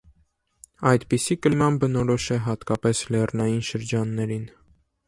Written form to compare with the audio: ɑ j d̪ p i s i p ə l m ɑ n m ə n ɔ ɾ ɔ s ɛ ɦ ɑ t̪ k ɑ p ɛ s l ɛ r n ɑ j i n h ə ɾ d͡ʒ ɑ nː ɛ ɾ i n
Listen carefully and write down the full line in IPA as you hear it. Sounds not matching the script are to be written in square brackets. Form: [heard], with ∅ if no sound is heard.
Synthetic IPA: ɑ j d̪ p i s i [k] ə l m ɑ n [b] ə n ɔ ɾ ɔ [ʃ] ɛ ɦ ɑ t̪ k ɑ p ɛ s l ɛ r n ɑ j i n [ʃ] ə ɾ d͡ʒ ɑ nː ɛ ɾ i n